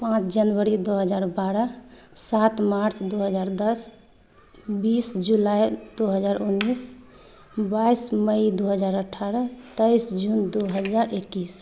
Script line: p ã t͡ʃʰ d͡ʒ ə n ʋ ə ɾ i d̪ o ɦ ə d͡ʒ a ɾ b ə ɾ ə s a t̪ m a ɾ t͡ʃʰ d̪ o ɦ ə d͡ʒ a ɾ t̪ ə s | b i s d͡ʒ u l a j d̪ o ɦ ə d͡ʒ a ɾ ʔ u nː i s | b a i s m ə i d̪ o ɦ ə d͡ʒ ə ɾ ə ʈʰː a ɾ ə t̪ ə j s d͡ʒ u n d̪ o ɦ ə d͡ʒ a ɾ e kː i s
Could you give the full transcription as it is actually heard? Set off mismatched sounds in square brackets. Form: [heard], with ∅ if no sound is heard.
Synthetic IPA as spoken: p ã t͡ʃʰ d͡ʒ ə n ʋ ə ɾ i d̪ o ɦ ə d͡ʒ a ɾ b [a] ɾ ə s a t̪ m a ɾ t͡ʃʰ d̪ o ɦ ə d͡ʒ a ɾ [d̪] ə s | b i s d͡ʒ u l a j d̪ o ɦ ə d͡ʒ a ɾ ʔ u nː i s | b a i s m ə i d̪ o ɦ ə d͡ʒ [a] ɾ ə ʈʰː a ɾ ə t̪ ə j s d͡ʒ u n d̪ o ɦ ə d͡ʒ a ɾ e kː i s